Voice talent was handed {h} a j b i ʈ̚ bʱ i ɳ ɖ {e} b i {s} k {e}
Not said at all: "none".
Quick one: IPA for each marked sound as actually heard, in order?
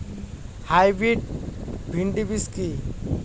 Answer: h, i, s, i

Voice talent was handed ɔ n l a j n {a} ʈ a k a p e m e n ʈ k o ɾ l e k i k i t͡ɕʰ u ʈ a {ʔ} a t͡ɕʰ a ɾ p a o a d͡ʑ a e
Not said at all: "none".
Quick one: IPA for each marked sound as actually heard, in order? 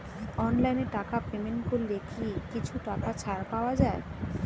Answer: e, k

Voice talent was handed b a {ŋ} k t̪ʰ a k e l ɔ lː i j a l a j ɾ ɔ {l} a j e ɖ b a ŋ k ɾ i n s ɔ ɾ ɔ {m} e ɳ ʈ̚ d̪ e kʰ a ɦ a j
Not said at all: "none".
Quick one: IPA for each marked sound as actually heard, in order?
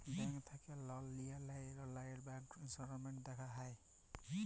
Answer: ŋ, l, m

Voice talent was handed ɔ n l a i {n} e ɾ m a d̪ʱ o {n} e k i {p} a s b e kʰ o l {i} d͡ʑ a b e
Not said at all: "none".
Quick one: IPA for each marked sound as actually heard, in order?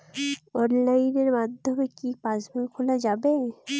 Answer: n, m, p, a

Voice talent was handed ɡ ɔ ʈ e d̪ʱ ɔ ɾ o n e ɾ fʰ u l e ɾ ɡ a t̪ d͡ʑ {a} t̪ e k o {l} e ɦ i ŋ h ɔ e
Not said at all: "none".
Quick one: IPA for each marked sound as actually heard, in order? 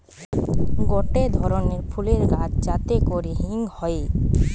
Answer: a, ɾ

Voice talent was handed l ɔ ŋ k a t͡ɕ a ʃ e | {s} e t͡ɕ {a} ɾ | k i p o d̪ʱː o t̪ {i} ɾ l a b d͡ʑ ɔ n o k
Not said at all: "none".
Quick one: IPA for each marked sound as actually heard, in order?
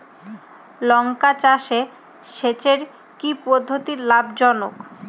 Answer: ʃ, e, i

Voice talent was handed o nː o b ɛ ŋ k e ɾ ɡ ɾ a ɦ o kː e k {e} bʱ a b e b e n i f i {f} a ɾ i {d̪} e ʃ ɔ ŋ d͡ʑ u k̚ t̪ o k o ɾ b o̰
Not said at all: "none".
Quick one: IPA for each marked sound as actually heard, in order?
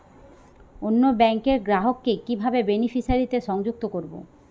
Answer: i, ʃ, t̪

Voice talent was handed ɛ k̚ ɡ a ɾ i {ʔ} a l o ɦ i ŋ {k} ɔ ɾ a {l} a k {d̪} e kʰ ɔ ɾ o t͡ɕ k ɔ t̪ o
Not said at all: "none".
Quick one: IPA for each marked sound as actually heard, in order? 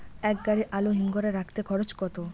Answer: ʔ, ɡ, ɾ, t̪

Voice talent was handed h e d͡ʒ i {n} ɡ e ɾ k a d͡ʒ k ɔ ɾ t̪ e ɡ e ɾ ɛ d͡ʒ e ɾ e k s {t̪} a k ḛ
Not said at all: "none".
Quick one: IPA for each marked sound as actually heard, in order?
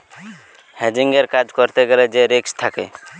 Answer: ŋ, t̪ʰ

